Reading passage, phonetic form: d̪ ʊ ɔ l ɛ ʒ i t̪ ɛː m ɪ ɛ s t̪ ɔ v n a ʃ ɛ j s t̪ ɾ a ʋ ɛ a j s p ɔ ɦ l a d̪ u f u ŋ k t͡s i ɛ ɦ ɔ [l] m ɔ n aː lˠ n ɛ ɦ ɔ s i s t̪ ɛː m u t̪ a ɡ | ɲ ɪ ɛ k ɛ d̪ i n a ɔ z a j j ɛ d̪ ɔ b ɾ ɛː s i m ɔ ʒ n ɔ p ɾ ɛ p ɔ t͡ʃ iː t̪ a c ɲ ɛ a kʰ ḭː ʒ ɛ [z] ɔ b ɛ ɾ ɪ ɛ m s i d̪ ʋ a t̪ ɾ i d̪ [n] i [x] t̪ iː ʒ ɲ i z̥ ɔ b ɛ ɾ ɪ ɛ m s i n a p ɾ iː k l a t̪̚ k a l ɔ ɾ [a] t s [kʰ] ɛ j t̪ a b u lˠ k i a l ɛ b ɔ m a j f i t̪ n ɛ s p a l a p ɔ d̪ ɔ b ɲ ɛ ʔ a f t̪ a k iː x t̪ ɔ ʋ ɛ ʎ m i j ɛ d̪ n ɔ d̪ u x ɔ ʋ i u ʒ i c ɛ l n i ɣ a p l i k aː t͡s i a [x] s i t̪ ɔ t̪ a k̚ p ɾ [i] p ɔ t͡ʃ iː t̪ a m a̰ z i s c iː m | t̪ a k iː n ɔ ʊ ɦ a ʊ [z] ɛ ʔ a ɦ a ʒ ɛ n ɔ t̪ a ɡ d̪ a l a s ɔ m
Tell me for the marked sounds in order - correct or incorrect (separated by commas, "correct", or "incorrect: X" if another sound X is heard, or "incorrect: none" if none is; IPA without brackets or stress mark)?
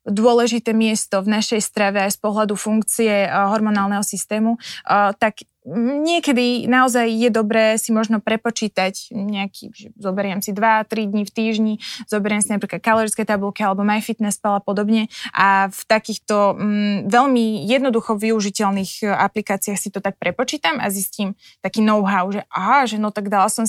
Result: incorrect: ɾ, correct, incorrect: ɲ, incorrect: f, incorrect: i, incorrect: k, correct, incorrect: ɛ, incorrect: ʒ